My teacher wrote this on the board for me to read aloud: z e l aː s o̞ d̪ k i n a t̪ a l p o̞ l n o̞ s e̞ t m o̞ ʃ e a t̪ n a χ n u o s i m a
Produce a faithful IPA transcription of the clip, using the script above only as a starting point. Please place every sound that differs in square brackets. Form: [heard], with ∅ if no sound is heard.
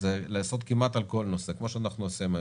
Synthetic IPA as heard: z e l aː s o̞ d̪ k i [m] a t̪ a l [k] o̞ l n o̞ s e̞ [k] m o̞ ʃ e a [∅] n a χ n u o s i m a